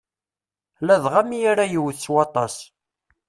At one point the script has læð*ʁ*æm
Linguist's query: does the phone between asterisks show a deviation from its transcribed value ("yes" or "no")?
no